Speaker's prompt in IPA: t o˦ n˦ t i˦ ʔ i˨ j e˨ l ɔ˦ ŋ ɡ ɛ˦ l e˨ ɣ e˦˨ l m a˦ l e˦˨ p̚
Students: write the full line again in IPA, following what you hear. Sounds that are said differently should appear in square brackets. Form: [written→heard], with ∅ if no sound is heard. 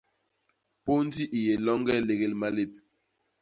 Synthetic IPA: [t→p] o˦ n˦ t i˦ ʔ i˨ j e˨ l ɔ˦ ŋ ɡ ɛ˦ l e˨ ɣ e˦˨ l m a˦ l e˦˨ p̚

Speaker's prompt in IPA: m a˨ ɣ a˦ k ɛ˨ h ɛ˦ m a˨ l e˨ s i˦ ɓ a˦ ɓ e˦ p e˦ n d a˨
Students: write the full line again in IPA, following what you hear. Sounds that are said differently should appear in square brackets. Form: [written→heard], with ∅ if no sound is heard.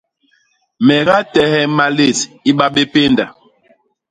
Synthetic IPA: m [a˨→ɛ˨] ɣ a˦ [k→t] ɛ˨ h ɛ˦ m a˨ l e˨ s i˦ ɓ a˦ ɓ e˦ p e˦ n d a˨

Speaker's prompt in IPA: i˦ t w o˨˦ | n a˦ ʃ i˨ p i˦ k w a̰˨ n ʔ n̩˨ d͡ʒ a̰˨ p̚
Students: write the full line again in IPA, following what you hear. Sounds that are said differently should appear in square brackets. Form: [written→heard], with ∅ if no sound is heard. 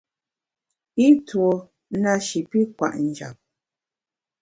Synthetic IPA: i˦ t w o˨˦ | n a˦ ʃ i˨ p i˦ k w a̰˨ [n→∅] ʔ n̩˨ d͡ʒ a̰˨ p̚

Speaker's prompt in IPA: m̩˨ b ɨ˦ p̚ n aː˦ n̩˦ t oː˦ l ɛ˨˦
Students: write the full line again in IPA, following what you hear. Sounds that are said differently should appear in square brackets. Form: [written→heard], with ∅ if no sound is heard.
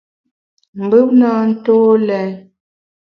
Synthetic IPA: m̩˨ b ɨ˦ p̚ n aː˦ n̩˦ t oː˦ l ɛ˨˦

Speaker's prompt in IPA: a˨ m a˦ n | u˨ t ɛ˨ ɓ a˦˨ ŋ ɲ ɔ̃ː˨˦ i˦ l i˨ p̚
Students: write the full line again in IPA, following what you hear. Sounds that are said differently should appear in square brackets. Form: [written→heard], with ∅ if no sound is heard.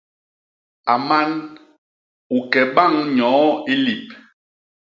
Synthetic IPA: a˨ m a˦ n | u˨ [t→k] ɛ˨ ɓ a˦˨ ŋ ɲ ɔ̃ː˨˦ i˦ l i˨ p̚

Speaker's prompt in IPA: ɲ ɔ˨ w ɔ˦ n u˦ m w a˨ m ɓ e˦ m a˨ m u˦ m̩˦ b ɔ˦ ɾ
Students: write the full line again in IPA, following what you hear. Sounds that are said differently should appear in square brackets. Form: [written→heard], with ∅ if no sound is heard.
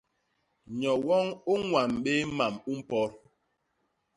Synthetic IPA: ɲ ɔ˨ w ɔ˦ [n→ŋ] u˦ [m→ŋ] w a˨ m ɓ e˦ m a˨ m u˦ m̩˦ [b→p] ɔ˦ ɾ

